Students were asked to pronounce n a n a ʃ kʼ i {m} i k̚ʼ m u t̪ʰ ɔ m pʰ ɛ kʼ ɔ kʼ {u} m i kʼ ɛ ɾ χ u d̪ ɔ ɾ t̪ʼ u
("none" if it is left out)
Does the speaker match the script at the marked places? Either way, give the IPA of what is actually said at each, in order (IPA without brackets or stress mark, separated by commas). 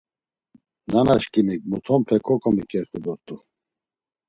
m, ɔ